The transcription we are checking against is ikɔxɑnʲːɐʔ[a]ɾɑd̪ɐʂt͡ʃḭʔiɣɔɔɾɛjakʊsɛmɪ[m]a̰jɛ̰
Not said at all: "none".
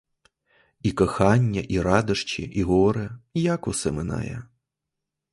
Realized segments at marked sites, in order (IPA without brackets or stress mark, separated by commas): i, n